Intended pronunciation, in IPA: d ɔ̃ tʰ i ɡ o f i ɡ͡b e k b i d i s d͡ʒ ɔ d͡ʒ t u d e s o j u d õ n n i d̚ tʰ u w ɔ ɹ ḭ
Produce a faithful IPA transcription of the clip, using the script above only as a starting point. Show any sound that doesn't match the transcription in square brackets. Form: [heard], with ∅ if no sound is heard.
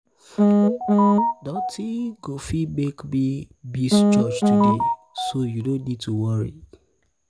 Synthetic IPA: d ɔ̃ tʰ i ɡ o f i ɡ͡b e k b i [b] i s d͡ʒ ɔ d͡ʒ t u d e s o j u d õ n n i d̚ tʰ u w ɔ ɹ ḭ